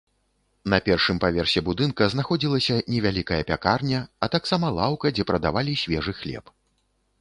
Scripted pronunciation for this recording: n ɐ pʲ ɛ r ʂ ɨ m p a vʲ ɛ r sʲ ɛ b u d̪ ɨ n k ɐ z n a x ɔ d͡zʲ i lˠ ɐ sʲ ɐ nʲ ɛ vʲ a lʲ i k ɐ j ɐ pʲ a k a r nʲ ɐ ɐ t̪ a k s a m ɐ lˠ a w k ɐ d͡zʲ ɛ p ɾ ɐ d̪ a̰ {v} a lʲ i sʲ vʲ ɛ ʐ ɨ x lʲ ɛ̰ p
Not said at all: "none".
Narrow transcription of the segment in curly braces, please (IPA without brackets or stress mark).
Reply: v